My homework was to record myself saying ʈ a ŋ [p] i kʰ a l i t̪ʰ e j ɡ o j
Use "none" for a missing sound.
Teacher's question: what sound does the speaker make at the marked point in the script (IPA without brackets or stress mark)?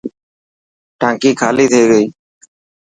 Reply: k